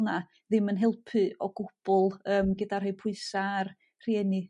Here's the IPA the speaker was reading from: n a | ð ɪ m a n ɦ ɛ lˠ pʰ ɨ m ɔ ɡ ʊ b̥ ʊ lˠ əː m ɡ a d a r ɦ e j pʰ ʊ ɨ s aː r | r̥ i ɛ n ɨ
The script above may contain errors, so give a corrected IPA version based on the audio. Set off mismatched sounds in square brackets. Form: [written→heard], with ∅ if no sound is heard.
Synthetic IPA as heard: n a | ð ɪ m [a→ə] n ɦ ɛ lˠ pʰ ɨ [m→∅] ɔ ɡ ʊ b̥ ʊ lˠ əː m ɡ [a→ə] d a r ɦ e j pʰ ʊ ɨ s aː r | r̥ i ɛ n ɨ